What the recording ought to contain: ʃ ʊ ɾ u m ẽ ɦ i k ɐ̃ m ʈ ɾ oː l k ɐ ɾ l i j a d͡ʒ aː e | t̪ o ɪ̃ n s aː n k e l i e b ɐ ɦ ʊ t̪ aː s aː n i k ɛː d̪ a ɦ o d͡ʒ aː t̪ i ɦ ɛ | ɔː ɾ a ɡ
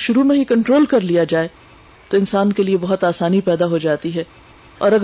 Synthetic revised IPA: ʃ ʊ ɾ u m ẽ ɦ i k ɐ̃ ɳ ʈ ɾ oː l k ɐ ɾ l i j a d͡ʒ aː e | t̪ o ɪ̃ n s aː n k e l i e b ɐ ɦ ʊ t̪ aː s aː n i p ɛː d̪ a ɦ o d͡ʒ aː t̪ i ɦ ɛ | ɔː ɾ ɐ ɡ